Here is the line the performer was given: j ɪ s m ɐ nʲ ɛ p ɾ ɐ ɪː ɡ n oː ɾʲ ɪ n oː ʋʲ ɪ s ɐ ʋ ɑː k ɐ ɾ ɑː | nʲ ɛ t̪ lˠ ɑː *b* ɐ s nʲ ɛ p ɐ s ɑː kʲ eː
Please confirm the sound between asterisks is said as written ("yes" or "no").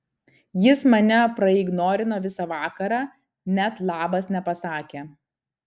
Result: yes